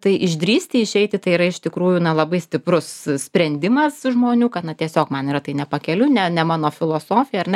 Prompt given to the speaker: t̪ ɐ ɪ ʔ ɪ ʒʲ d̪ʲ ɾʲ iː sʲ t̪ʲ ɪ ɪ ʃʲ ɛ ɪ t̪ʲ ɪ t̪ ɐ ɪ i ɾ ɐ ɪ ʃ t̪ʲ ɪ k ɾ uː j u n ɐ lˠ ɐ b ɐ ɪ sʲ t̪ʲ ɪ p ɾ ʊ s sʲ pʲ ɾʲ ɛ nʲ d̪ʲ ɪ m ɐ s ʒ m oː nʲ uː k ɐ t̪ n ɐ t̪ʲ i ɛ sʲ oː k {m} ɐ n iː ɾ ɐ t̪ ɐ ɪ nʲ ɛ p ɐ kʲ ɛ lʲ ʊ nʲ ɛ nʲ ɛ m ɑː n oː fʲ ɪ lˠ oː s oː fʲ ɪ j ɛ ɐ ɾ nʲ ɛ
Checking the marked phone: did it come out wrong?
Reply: no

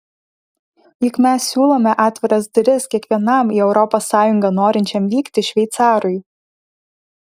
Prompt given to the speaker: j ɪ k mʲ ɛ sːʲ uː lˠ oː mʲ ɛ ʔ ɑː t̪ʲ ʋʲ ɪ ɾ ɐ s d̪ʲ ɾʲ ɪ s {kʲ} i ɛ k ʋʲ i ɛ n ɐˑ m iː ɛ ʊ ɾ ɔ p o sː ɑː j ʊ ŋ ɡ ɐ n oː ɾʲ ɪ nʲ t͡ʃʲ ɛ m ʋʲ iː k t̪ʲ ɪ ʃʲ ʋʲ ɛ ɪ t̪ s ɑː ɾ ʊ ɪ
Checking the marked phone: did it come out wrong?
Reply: no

